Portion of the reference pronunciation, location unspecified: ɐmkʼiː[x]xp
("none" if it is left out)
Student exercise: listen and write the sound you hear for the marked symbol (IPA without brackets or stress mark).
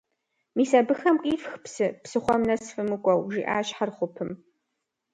f